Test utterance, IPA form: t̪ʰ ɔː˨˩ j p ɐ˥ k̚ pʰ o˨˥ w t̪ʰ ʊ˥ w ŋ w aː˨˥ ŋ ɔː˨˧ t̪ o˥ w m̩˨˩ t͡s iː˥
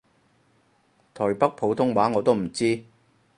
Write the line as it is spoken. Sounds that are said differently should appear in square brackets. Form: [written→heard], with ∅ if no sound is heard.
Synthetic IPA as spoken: t̪ʰ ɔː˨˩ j p ɐ˥ k̚ pʰ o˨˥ w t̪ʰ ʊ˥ [w→∅] ŋ w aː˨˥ ŋ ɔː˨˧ t̪ o˥ w m̩˨˩ t͡s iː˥